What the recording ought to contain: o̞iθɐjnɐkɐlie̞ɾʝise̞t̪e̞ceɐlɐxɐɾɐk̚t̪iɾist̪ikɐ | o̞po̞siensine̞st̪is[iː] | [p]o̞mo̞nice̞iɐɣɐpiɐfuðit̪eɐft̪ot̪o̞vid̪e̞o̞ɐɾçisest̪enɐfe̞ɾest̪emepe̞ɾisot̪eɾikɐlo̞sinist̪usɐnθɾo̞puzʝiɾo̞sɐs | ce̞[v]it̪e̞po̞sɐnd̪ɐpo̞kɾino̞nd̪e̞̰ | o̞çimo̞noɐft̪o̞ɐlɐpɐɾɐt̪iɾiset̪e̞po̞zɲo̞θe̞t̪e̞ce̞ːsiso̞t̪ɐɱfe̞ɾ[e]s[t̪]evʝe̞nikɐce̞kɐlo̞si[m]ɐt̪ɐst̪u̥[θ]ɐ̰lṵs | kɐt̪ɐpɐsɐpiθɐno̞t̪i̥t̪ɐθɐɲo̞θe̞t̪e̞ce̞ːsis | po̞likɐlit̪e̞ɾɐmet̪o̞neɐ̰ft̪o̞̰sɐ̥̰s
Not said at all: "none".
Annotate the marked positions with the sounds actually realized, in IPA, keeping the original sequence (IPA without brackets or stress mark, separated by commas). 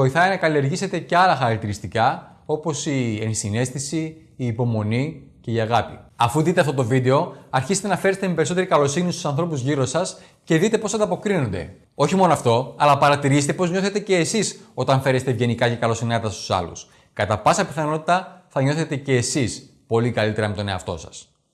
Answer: iː, p, ð, e, t̪, n, s